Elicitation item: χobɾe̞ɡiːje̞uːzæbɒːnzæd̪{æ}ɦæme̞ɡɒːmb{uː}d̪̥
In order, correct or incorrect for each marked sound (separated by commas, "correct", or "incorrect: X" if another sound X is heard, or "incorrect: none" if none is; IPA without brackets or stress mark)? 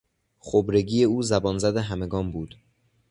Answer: incorrect: e, correct